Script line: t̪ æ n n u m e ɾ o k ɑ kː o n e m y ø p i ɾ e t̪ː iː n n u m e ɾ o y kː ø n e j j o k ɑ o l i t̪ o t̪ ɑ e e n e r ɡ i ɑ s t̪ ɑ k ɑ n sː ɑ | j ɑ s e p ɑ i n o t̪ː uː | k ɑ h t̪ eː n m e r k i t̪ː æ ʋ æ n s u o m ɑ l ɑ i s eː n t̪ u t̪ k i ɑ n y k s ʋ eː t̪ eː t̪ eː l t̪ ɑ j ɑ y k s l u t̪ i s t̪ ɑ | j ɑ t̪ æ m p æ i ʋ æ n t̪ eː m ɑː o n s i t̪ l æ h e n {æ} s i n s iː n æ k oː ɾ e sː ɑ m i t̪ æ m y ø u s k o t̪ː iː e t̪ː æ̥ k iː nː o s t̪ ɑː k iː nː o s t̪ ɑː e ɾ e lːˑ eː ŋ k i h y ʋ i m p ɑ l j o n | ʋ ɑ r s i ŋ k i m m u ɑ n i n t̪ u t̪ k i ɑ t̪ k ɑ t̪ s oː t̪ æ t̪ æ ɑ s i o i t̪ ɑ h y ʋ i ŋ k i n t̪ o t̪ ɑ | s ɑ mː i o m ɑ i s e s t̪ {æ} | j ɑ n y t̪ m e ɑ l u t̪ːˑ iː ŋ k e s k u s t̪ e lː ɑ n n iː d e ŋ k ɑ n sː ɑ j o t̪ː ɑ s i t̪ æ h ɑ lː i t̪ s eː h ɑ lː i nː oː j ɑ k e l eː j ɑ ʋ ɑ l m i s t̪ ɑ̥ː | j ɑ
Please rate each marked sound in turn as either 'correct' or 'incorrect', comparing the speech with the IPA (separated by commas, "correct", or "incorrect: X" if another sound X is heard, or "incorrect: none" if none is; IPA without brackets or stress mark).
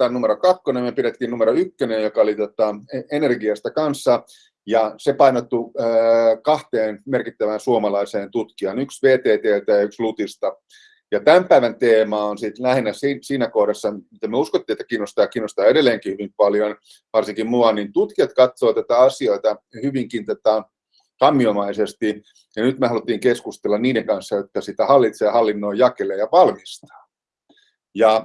correct, incorrect: i